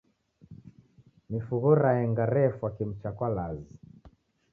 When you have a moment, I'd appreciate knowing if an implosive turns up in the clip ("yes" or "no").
no